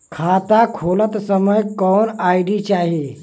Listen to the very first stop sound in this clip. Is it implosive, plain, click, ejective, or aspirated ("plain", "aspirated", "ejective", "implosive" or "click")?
aspirated